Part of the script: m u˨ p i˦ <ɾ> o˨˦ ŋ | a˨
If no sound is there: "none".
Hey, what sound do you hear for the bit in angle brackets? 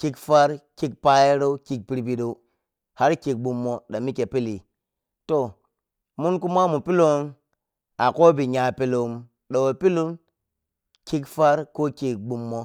l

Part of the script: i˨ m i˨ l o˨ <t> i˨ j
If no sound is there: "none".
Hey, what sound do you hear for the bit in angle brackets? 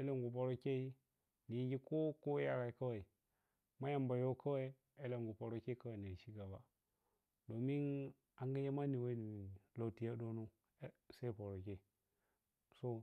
t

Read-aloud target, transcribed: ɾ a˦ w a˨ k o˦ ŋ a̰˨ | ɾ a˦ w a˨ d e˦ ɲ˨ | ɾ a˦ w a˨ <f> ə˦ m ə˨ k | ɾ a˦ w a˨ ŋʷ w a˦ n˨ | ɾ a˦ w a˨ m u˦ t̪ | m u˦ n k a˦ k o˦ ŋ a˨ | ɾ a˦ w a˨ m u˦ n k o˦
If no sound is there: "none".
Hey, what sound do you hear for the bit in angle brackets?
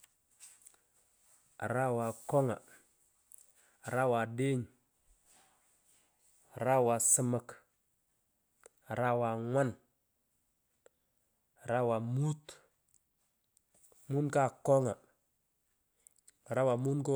s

